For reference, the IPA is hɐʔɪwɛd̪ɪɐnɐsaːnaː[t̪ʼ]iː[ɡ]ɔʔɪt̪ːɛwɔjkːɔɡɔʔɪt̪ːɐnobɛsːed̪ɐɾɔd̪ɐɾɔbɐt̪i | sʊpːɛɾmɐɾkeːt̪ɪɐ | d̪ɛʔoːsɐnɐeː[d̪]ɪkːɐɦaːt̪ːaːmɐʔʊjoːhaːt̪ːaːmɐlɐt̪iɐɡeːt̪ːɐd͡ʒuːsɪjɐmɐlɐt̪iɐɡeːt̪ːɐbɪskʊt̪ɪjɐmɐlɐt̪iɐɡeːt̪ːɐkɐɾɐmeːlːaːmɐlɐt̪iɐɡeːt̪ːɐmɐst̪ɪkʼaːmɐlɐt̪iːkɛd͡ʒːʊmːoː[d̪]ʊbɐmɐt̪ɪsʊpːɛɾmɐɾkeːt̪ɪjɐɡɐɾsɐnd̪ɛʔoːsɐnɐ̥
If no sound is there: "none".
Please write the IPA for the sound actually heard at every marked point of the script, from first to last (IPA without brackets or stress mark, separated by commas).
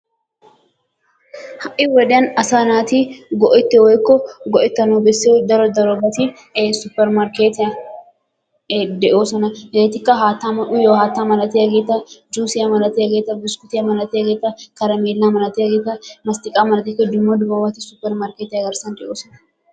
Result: t̪, ɡ, t̪, d̪